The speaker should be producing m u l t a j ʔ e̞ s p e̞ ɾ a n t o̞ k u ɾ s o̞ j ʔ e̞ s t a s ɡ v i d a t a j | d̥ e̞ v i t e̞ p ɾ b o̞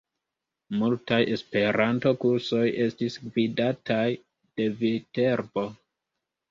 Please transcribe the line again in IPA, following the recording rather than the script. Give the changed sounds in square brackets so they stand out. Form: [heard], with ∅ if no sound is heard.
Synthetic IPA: m u l t a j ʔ e̞ s p e̞ ɾ a n t o̞ k u ɾ s o̞ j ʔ e̞ s t [i] s ɡ v i d a t a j | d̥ e̞ v i t e̞ [∅] ɾ b o̞